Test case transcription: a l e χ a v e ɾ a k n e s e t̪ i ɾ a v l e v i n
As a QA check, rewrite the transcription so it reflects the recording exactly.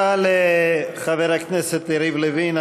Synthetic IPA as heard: a l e χ a v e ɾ a k n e s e t̪ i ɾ i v l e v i n